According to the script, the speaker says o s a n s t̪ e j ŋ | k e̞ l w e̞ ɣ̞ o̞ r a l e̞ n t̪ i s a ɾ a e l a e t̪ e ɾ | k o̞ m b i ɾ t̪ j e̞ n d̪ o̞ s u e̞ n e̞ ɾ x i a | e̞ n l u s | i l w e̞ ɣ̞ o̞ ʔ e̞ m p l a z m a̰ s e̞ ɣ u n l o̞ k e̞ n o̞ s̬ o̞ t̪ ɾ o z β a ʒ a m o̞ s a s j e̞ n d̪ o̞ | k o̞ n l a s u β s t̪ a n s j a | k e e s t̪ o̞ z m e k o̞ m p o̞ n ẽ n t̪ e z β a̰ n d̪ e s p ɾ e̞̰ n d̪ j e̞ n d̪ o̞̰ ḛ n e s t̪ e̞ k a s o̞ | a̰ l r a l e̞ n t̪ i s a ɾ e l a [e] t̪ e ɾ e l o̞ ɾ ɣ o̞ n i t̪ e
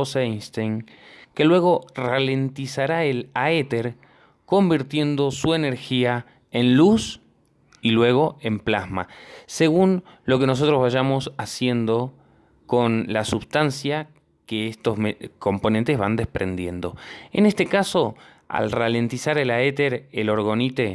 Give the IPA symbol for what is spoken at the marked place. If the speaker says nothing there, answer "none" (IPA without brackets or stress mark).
e